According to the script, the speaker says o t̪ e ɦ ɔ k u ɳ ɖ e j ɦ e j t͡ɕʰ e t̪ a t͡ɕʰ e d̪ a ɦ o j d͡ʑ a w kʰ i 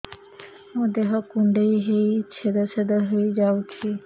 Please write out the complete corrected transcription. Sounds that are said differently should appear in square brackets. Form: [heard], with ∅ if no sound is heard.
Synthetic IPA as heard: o [d̪] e ɦ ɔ k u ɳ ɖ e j ɦ e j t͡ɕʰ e [d̪] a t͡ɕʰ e d̪ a ɦ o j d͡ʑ a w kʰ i